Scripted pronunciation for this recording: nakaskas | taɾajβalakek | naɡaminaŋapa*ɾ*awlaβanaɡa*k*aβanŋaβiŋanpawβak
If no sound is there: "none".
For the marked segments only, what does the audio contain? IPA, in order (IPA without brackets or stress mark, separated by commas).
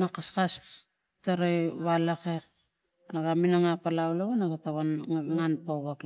l, t